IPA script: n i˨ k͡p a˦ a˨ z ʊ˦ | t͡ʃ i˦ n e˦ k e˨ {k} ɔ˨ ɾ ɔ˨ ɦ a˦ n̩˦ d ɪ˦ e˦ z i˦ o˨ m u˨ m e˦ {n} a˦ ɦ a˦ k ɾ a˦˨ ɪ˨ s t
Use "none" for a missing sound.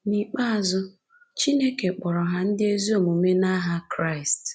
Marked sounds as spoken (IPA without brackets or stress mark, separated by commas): k͡p, n